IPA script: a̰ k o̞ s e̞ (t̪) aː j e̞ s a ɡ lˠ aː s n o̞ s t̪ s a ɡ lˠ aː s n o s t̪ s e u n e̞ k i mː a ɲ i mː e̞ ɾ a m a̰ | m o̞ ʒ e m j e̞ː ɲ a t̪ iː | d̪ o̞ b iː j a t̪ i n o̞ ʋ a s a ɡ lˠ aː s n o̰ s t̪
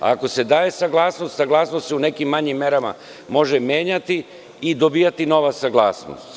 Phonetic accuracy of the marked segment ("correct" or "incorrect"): incorrect